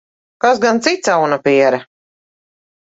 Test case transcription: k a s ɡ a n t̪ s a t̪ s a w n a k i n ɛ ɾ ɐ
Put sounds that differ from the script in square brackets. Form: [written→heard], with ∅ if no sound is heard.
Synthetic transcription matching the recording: k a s ɡ a n t̪ s [a→i] t̪ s a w n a [k→p] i [n→∅] ɛ ɾ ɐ